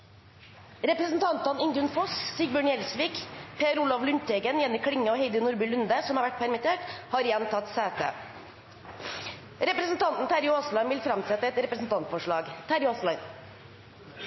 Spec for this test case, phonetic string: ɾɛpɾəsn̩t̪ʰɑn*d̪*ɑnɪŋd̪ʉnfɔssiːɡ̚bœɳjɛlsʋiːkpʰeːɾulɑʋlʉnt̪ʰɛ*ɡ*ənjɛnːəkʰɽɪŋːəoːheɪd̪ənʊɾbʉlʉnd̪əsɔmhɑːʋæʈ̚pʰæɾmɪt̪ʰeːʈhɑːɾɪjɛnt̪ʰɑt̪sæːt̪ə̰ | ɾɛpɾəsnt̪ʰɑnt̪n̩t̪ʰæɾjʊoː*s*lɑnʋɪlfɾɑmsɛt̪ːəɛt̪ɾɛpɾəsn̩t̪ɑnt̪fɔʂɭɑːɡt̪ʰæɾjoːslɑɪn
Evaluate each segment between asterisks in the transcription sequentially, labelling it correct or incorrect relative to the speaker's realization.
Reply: incorrect, correct, correct

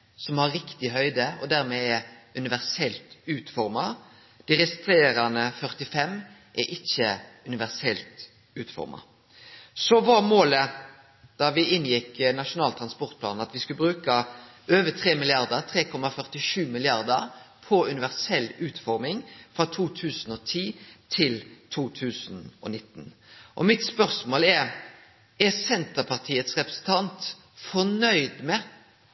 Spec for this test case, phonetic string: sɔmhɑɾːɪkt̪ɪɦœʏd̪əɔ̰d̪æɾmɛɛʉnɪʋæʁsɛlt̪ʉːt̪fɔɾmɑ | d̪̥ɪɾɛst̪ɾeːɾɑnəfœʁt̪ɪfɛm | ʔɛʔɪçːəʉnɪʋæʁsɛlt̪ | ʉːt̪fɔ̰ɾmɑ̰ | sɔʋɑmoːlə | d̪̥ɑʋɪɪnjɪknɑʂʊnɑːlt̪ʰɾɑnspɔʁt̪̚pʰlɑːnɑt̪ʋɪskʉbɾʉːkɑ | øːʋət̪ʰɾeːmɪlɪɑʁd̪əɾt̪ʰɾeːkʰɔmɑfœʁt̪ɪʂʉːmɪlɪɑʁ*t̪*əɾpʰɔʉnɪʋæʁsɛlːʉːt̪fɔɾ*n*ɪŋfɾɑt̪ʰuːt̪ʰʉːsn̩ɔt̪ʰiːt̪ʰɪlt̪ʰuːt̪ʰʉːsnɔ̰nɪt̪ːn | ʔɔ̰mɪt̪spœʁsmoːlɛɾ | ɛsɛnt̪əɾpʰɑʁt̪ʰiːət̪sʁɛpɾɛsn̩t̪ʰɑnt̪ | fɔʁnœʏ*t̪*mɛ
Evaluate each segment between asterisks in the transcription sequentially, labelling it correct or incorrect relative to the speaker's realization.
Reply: incorrect, incorrect, incorrect

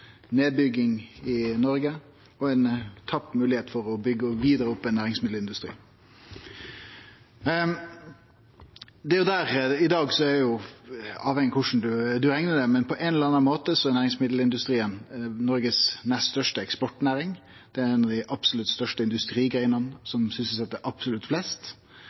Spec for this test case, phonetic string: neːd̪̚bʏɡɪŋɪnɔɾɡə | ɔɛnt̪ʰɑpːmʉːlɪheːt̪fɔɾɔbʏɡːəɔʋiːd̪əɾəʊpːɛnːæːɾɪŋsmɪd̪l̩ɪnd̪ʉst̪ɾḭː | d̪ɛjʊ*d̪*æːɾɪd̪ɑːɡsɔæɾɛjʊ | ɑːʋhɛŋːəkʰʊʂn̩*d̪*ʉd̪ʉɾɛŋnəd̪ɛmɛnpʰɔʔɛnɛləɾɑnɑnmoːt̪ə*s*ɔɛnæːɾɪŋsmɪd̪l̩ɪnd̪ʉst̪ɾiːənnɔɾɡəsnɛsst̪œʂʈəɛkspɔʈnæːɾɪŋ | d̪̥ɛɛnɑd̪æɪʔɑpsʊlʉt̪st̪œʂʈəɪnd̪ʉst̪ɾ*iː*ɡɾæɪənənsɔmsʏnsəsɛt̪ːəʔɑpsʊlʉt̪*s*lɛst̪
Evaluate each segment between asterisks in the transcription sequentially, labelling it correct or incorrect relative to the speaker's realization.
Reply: correct, correct, correct, correct, incorrect

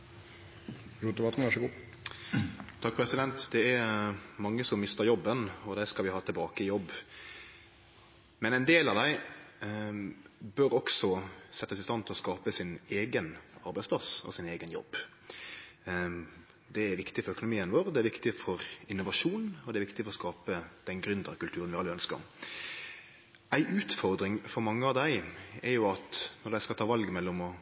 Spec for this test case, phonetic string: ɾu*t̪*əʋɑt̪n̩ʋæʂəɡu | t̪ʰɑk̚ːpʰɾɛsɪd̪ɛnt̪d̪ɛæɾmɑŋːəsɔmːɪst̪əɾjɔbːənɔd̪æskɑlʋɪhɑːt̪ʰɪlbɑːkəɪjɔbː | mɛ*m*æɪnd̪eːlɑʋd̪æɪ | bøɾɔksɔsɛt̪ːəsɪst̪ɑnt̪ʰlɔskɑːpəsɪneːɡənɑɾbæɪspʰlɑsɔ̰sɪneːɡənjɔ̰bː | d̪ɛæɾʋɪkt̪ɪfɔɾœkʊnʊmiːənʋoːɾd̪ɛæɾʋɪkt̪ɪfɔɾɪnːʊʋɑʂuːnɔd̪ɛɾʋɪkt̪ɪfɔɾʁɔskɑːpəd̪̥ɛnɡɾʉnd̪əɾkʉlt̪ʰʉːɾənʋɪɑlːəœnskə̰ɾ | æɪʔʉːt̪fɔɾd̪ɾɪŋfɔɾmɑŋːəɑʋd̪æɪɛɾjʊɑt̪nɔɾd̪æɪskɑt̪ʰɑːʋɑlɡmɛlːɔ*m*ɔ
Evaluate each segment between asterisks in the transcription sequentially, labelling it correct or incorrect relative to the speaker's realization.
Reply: correct, incorrect, correct

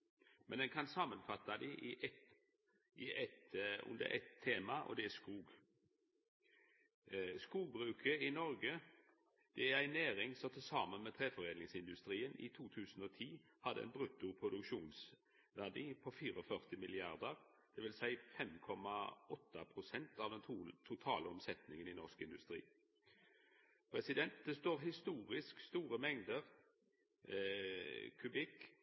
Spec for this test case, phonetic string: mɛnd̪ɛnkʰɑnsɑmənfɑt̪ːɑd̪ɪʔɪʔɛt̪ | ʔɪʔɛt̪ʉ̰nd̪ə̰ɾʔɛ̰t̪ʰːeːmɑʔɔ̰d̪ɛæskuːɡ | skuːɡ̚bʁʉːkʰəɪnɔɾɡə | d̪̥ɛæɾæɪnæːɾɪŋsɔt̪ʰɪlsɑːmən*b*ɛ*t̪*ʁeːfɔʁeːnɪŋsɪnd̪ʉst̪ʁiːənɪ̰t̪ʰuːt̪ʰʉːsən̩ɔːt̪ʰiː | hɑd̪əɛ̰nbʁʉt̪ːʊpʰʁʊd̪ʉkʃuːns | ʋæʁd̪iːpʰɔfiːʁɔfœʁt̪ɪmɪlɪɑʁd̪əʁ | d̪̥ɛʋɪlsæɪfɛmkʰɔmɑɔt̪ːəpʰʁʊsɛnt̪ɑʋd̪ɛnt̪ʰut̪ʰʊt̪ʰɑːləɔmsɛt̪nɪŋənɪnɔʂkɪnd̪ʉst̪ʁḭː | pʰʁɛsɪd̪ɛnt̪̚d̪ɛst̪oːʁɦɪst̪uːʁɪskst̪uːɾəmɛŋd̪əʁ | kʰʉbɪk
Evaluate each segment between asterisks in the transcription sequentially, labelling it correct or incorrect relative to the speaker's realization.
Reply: incorrect, incorrect

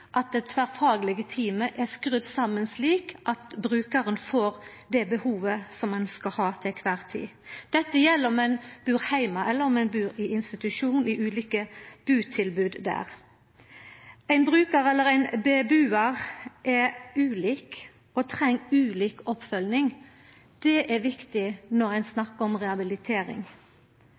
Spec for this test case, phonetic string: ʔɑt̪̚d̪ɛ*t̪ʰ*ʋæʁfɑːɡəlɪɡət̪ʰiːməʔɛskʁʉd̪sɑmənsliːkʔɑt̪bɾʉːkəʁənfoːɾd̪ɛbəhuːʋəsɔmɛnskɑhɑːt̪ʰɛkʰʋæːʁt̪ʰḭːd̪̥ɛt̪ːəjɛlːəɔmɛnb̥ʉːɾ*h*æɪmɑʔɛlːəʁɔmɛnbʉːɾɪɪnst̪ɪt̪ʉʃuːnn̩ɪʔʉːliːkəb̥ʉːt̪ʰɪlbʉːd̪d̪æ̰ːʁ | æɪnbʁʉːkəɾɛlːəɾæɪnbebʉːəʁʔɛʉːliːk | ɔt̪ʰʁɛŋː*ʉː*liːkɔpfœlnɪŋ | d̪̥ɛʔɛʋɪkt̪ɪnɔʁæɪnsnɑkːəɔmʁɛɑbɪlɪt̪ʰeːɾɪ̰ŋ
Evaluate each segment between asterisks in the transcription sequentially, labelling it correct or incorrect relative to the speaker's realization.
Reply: correct, correct, correct

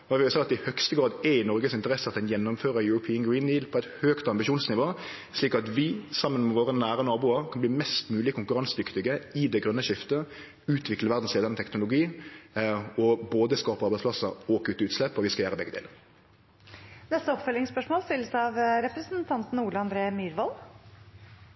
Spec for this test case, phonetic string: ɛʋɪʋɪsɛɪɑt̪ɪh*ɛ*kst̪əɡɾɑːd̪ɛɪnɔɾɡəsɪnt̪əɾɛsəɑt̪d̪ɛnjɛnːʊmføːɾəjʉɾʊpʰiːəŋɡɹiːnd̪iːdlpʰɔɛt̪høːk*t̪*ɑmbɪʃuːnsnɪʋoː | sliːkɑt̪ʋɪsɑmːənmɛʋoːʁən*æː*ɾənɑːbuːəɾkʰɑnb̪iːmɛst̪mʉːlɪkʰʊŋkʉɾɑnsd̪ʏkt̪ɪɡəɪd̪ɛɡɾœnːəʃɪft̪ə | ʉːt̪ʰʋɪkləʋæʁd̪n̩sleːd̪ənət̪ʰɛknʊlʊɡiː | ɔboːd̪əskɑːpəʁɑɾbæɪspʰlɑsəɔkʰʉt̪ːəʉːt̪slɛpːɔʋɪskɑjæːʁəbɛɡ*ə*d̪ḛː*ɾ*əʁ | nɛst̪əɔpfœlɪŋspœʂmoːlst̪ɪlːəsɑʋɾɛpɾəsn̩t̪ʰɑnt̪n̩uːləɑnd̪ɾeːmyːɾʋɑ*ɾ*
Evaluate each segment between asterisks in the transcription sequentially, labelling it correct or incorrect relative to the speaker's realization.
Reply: incorrect, correct, correct, correct, incorrect, incorrect

